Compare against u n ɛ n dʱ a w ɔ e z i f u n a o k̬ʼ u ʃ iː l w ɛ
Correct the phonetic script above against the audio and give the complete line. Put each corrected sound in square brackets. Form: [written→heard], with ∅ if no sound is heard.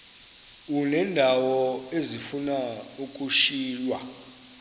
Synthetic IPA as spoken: u n ɛ n dʱ a w ɔ e z i f u n a [o→u] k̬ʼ u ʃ iː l w [ɛ→a]